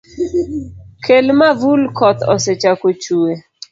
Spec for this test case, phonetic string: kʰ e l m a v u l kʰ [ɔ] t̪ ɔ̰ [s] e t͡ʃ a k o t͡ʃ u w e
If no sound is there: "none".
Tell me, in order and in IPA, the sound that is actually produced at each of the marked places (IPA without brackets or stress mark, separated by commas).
ɔ, s